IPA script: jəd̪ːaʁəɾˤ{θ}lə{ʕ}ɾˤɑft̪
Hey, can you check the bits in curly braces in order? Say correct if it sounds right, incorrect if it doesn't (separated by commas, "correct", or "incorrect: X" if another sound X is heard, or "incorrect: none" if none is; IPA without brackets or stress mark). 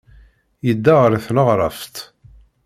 correct, incorrect: ʁ